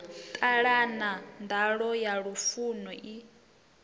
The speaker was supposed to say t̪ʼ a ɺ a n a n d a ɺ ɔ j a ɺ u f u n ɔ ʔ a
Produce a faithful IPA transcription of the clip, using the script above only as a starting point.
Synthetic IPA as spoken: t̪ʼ a ɺ a n a n d a ɺ ɔ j a ɺ u f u n ɔ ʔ i